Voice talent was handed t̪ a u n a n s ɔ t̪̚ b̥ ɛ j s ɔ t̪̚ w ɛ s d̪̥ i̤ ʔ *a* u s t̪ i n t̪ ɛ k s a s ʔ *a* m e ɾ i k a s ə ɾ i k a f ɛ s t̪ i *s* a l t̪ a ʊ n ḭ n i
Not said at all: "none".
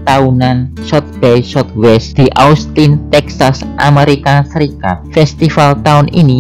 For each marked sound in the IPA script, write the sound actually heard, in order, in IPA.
a, a, f

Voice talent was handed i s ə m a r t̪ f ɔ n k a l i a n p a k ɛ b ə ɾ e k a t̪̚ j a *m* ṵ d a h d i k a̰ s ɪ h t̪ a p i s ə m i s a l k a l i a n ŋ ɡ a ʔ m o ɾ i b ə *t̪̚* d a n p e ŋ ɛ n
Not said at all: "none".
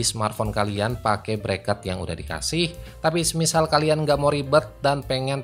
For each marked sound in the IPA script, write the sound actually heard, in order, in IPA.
ŋ, t̪̚

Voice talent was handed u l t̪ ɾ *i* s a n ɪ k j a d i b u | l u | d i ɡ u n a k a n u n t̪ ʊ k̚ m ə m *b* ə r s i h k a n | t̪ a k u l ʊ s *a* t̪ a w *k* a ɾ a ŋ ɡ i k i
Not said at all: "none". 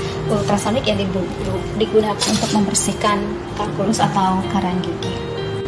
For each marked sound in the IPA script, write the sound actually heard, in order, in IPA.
a, b, a, k

